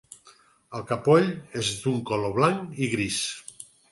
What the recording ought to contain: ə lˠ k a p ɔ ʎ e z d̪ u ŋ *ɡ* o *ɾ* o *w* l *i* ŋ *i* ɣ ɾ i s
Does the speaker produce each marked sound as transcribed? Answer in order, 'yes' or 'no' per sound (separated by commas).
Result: no, no, no, no, yes